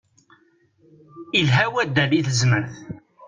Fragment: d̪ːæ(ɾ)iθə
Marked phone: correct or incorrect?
incorrect